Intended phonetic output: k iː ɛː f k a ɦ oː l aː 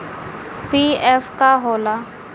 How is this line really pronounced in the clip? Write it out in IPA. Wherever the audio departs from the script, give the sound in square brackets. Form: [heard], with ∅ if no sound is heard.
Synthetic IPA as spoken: [p] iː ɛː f k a ɦ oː l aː